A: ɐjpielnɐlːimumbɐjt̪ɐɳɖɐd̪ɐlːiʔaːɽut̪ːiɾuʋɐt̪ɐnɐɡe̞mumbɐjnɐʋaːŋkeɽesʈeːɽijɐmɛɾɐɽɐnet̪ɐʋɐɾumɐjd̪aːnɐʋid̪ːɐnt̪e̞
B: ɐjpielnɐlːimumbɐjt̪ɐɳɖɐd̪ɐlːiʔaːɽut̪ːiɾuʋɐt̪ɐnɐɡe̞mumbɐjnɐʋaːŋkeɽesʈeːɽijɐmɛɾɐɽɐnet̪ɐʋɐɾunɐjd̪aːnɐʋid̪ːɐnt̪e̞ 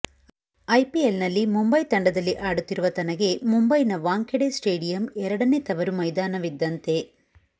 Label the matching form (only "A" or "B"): A